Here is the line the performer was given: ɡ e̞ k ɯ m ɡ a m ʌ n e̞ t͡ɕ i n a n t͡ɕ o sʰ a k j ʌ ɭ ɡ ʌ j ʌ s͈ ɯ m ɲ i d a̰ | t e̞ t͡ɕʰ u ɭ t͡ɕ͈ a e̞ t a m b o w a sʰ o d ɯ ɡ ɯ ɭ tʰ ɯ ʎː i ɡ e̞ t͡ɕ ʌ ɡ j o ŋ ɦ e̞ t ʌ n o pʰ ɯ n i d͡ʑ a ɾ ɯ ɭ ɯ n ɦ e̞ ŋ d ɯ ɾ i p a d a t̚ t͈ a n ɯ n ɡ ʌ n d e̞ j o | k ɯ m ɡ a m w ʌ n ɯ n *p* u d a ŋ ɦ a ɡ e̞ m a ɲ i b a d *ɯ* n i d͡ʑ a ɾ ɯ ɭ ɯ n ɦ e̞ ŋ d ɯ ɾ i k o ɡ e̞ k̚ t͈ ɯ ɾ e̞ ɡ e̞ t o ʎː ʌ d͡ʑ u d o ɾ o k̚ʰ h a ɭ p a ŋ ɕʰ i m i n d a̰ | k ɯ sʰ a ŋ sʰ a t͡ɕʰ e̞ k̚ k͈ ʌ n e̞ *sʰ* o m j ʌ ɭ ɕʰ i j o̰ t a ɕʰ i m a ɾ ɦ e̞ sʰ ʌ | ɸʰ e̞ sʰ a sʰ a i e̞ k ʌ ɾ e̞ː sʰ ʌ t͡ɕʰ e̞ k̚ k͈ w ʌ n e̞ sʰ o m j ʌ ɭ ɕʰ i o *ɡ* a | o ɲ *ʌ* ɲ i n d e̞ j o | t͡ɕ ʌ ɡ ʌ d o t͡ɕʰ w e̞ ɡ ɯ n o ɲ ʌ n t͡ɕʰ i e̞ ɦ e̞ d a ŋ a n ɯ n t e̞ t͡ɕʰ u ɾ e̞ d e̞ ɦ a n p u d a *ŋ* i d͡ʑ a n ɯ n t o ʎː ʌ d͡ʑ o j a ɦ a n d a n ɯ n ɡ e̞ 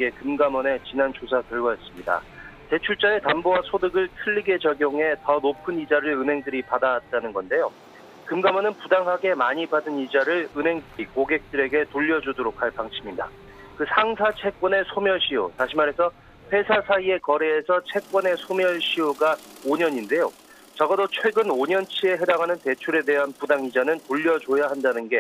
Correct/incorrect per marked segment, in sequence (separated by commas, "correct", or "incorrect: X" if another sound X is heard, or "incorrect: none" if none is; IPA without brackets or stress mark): correct, correct, correct, correct, correct, correct